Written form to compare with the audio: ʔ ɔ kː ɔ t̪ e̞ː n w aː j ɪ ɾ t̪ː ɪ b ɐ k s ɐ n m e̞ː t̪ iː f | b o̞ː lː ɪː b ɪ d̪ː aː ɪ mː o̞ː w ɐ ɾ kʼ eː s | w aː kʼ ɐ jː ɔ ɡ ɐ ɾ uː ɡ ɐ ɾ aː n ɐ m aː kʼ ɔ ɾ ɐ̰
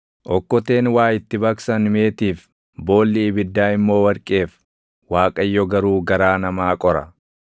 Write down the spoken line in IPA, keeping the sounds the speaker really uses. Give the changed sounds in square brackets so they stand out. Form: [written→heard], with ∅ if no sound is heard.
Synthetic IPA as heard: ʔ ɔ kː ɔ t̪ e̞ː n w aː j ɪ [ɾ→∅] t̪ː ɪ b ɐ k s ɐ n m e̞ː t̪ iː f | b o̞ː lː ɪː b ɪ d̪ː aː ɪ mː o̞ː w ɐ ɾ kʼ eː [s→f] | w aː kʼ ɐ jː ɔ ɡ ɐ ɾ uː ɡ ɐ ɾ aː n ɐ m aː kʼ ɔ ɾ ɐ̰